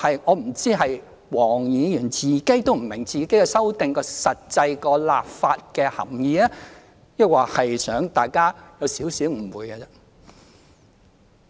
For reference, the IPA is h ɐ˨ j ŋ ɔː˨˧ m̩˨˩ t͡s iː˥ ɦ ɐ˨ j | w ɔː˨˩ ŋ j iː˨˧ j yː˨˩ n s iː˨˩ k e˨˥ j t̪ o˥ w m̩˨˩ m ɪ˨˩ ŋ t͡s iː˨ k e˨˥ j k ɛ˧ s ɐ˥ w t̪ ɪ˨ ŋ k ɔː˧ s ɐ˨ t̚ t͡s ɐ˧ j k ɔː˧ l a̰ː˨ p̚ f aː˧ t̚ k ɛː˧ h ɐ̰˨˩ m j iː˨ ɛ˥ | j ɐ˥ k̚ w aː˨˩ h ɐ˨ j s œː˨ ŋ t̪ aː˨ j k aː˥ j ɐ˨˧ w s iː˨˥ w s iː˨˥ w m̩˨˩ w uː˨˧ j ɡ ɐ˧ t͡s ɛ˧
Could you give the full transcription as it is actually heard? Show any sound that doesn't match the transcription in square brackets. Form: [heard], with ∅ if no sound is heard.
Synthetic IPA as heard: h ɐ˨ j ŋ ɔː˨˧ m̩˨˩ t͡s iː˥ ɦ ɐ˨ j | w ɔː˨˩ ŋ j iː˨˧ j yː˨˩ n [t͡s] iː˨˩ k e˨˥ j t̪ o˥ w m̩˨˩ m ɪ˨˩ ŋ t͡s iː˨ k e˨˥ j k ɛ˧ s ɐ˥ w t̪ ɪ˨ ŋ k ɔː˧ s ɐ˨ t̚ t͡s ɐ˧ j k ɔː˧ l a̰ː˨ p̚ f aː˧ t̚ k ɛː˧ h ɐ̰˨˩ m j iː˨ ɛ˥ | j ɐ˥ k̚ w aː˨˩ h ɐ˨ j s [œː˨˥] ŋ t̪ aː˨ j k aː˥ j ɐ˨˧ w s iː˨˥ w s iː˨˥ w m̩˨˩ w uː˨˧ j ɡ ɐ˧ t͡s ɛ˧